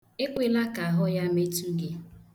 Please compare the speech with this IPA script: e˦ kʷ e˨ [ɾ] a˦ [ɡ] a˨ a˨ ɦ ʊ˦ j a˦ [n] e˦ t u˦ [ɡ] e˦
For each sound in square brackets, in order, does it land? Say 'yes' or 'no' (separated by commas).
no, no, no, yes